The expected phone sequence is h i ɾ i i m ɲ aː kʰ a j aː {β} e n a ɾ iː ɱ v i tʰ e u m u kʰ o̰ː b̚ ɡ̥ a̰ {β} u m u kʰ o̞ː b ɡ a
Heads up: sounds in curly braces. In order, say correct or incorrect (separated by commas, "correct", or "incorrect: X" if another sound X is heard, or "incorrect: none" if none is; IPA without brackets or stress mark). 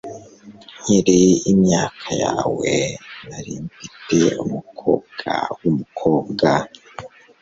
incorrect: w, incorrect: w